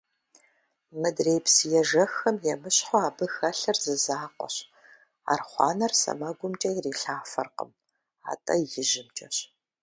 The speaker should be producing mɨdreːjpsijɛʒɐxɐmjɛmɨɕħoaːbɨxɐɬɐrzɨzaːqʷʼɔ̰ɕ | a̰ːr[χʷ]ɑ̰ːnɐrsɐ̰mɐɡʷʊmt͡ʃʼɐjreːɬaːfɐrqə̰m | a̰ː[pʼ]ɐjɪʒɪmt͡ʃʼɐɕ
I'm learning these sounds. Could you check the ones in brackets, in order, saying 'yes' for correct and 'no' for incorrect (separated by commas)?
yes, no